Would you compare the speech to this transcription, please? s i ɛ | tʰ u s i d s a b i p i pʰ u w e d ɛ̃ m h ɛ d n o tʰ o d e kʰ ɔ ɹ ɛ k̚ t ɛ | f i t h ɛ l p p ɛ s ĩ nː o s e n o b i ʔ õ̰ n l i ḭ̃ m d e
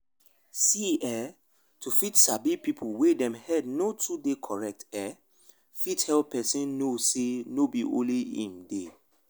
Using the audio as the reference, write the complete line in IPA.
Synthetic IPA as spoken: s i ɛ | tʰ u f i t s a b i p i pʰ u w e d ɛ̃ m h ɛ d n o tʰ u d e kʰ ɔ ɹ ɛ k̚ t ɛ | f i t h ɛ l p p ɛ s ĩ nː o s e n o b i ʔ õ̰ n l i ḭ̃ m d e